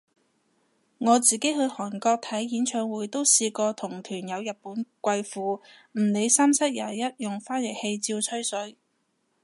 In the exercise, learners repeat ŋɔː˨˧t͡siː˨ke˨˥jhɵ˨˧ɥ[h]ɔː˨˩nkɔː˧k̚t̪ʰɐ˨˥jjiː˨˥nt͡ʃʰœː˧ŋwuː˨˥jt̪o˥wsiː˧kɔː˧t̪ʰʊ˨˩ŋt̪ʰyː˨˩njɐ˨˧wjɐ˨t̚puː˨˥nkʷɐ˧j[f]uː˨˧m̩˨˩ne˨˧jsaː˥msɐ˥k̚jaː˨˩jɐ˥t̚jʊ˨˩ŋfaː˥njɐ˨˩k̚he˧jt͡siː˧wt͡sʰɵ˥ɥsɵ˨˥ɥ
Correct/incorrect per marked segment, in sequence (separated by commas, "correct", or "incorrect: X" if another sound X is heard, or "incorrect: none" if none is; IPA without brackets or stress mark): correct, correct